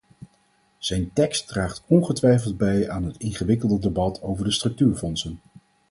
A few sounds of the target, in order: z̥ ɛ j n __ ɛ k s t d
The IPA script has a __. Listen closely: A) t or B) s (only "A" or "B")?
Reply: A